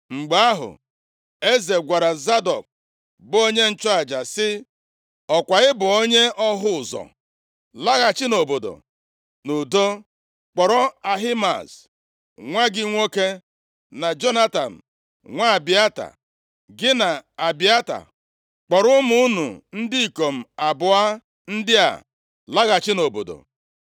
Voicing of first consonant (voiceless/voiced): voiced